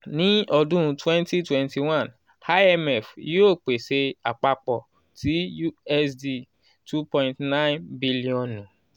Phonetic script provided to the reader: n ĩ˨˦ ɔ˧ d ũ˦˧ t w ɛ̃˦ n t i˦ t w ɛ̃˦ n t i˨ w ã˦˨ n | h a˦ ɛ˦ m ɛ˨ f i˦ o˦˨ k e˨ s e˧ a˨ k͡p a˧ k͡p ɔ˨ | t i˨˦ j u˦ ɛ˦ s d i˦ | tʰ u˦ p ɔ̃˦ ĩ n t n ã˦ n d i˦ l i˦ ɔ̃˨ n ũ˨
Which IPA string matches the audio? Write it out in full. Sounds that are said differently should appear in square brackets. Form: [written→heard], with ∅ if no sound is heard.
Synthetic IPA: n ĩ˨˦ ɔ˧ d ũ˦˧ t w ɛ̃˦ n t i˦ t w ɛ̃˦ n t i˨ w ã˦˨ n | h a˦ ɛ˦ m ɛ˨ f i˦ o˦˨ [k→k͡p] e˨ s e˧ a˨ k͡p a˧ k͡p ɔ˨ | t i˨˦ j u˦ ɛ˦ s d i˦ | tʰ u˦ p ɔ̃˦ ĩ n t n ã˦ n [d→b] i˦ l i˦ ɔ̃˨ n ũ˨